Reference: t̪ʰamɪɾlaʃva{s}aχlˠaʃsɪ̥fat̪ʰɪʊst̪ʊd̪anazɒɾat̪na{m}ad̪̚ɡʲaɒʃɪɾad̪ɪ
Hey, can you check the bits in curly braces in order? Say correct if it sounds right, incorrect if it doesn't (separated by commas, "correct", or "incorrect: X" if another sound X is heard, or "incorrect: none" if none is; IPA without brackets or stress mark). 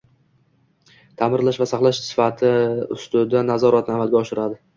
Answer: correct, correct